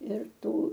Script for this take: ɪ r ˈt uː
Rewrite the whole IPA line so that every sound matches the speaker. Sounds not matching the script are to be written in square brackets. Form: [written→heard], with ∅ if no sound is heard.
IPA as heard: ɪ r ˈt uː